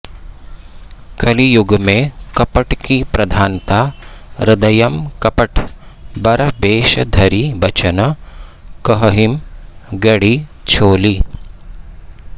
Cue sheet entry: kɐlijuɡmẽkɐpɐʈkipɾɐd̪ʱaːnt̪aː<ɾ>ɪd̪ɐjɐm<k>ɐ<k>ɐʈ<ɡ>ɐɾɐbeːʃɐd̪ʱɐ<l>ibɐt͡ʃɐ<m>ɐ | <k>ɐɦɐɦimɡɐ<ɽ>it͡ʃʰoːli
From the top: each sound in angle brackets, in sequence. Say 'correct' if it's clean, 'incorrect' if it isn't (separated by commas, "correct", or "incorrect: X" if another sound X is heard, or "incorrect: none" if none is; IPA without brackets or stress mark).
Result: correct, correct, incorrect: p, incorrect: b, incorrect: ɾ, incorrect: n, correct, correct